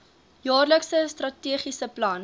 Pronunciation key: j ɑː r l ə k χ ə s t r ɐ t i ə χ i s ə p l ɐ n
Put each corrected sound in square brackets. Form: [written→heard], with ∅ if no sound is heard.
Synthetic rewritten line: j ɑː r l ə k [χ→s] ə s t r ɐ t i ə χ i s ə p l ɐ n